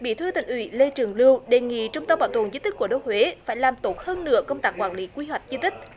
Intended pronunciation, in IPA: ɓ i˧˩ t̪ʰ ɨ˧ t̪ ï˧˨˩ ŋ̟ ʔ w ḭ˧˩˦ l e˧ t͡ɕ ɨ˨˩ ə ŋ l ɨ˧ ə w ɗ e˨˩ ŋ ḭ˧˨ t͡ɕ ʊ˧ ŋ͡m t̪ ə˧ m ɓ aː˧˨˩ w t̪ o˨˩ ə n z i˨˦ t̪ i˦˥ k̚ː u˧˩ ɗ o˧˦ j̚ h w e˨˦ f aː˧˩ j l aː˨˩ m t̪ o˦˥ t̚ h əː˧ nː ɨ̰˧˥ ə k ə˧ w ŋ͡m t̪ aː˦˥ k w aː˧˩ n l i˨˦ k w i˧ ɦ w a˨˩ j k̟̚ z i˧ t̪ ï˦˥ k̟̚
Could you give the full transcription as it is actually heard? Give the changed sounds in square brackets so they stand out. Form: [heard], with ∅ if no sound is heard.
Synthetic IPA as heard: ɓ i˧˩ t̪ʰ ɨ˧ t̪ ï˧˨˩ ŋ̟ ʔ w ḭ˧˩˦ l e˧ t͡ɕ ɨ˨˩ ə ŋ l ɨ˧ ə w ɗ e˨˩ ŋ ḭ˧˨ t͡ɕ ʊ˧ ŋ͡m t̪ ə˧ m ɓ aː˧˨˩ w t̪ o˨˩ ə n z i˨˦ t̪ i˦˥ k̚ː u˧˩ ɗ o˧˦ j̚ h w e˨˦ f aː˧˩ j l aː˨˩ m t̪ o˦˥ t̚ h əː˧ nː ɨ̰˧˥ ə k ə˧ w ŋ͡m t̪ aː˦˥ k w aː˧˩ n l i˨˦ k w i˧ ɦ w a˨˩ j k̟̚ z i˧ t̪ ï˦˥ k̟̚